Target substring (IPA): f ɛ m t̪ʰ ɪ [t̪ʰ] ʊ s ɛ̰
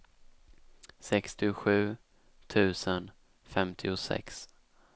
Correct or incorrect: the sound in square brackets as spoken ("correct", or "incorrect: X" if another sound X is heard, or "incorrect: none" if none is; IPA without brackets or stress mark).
incorrect: none